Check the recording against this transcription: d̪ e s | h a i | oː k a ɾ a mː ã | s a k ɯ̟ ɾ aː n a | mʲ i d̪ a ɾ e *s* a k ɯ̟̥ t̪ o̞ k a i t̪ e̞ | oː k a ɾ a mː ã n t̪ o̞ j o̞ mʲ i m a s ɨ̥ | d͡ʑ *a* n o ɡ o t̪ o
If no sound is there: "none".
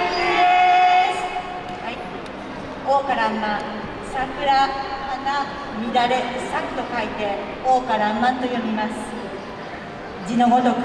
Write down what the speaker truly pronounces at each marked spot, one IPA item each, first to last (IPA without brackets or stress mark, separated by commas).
s, i